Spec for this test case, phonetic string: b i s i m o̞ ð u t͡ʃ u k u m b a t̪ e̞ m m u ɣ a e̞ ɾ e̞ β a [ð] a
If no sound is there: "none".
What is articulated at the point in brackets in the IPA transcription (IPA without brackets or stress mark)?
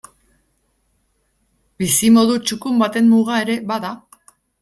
ð